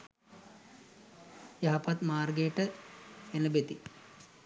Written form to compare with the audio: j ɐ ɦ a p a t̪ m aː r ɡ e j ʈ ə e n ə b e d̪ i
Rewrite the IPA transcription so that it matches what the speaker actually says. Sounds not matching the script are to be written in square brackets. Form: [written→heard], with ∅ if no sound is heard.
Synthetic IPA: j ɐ ɦ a p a t̪ m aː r ɡ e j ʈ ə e n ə b e [d̪→t̪] i